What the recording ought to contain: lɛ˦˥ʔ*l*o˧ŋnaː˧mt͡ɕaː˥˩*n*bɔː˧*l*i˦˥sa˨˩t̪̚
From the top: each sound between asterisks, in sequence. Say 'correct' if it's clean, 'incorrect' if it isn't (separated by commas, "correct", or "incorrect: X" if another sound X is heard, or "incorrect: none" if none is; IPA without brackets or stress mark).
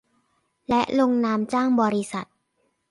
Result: correct, incorrect: ŋ, incorrect: ɾ